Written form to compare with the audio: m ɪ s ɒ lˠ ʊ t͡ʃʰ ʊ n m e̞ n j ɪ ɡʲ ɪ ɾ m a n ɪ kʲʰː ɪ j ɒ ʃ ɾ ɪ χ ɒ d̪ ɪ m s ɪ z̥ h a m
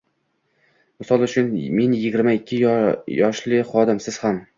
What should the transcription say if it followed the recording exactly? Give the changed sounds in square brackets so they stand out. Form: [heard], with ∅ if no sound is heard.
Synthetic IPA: m ɪ s ɒ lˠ ʊ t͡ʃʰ ʊ n m e̞ n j ɪ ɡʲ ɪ ɾ m a [∅] ɪ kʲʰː ɪ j ɒ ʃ [l] ɪ χ ɒ d̪ ɪ m s ɪ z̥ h a m